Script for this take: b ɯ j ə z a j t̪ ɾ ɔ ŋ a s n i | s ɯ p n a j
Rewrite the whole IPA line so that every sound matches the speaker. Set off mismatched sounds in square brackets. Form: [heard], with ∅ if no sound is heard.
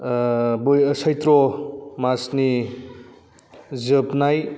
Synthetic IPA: b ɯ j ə [s] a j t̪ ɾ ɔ [m] a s n i | [z] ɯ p n a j